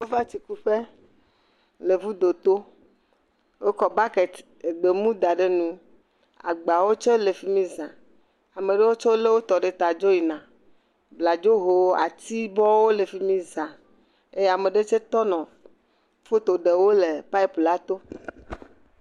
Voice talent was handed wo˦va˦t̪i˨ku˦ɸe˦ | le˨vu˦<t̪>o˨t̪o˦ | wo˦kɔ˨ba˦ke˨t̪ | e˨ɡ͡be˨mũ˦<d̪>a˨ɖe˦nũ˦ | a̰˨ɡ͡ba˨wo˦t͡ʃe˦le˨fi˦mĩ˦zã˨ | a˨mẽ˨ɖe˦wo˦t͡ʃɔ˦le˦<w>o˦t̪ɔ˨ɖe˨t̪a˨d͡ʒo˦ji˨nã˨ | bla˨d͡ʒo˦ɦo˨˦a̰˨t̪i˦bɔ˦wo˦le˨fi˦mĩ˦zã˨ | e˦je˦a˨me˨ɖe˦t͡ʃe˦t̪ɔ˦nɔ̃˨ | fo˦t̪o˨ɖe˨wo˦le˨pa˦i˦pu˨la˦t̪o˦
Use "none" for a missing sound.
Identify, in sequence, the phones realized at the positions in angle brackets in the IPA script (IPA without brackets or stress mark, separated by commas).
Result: d̪, d̪, w